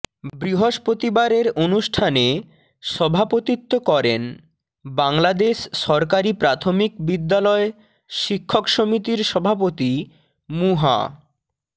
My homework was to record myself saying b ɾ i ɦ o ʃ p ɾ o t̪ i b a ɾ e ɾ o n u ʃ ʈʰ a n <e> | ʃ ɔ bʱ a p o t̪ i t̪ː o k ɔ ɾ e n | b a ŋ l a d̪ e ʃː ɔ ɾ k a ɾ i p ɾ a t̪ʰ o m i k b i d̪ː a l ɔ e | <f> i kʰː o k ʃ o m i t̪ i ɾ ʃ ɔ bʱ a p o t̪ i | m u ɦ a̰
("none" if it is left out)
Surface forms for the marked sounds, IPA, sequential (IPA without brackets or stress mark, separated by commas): e, ʃ